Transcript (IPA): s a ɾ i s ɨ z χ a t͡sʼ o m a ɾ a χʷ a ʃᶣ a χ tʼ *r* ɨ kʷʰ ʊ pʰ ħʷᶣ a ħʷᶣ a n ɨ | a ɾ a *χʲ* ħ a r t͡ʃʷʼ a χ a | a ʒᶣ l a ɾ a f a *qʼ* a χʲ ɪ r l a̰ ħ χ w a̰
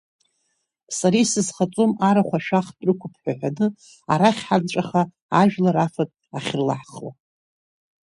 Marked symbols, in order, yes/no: yes, yes, no

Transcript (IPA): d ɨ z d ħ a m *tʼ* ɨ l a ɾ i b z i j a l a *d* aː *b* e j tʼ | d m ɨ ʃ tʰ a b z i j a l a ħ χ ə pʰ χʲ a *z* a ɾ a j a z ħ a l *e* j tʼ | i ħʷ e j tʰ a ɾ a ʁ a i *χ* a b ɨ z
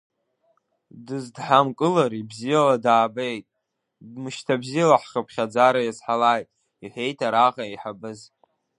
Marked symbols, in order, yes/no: no, yes, yes, no, no, no

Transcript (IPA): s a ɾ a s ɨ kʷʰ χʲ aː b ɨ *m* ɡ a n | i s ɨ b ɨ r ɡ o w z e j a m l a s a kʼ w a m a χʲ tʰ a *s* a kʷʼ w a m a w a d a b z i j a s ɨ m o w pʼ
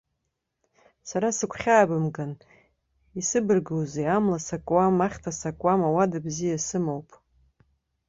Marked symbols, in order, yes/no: yes, yes

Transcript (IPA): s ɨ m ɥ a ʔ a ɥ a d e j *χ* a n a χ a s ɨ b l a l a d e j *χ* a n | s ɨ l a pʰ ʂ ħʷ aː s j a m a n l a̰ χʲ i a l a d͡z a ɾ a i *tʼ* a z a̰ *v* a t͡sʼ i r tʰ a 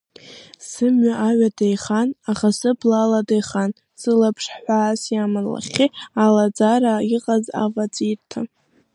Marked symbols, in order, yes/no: yes, yes, no, yes

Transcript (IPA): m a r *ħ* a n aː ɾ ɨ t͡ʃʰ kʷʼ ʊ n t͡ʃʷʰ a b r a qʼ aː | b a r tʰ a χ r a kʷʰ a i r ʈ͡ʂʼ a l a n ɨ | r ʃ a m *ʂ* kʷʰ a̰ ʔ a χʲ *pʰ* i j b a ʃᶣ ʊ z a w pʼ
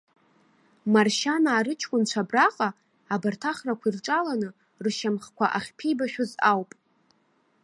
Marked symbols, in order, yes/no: no, no, yes

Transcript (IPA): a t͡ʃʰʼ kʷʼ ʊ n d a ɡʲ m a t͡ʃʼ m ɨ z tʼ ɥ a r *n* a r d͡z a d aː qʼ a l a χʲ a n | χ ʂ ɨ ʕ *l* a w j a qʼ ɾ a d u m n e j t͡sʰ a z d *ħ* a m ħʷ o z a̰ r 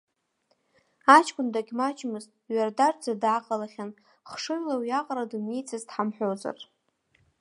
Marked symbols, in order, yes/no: no, yes, yes

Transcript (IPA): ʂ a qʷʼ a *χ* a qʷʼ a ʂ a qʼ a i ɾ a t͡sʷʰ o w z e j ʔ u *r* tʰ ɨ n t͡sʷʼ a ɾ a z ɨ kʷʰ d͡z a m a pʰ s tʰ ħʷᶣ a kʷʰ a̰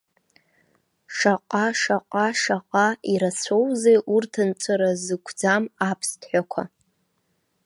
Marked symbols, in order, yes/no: no, yes

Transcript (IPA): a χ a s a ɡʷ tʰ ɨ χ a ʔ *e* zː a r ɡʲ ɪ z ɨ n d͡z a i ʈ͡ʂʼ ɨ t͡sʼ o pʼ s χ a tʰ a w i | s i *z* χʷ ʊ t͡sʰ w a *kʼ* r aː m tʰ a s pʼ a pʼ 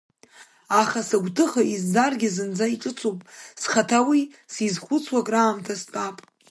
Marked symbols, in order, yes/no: no, yes, yes

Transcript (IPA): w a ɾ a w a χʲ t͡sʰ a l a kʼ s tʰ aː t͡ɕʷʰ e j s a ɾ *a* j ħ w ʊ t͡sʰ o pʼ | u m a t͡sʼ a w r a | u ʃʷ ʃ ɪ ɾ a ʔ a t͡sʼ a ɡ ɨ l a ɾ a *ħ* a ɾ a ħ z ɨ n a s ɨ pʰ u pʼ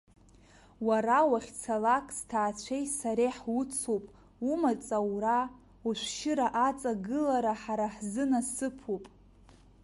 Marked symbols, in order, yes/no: no, yes

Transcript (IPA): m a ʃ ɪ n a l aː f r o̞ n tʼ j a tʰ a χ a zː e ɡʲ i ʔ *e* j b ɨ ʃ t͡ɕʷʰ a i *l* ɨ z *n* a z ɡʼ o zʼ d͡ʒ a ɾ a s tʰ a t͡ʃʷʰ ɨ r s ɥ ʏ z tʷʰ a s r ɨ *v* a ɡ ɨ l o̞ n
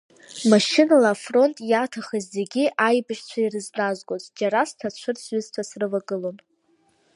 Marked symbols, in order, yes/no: no, no, yes, yes

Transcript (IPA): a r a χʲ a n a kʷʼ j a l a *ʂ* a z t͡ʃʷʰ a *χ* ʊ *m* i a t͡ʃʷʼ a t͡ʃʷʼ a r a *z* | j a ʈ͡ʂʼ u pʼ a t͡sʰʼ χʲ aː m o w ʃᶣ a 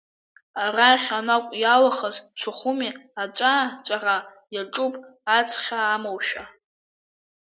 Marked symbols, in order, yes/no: no, yes, yes, no

